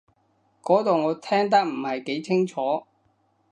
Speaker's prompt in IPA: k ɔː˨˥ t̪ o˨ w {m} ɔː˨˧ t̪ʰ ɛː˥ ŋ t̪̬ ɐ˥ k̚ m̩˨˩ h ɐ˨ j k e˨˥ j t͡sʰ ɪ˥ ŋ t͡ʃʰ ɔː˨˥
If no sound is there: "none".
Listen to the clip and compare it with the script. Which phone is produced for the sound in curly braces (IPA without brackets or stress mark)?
ŋ